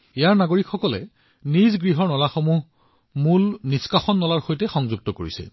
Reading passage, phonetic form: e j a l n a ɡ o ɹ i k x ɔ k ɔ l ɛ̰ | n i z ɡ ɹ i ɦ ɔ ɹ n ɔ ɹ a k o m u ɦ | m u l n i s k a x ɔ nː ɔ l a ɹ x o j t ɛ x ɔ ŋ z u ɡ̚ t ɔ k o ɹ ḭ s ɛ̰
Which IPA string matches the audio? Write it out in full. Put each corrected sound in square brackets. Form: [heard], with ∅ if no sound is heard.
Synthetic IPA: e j a [ɹ] n a ɡ o ɹ i k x ɔ k ɔ l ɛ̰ | n i z ɡ ɹ i ɦ ɔ ɹ n ɔ [l] a [x] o m u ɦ | m u l n i s k a x ɔ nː ɔ l a ɹ x o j t ɛ x ɔ ŋ z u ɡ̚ t ɔ k o ɹ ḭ s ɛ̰